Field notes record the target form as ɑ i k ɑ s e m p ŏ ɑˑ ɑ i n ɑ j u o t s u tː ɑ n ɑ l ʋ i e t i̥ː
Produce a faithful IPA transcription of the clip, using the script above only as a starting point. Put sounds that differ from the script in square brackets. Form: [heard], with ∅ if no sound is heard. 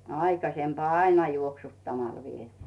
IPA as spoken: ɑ i k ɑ s e m p ŏ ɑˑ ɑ i n ɑ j u o [k] s u tː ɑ [m] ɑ l ʋ i e t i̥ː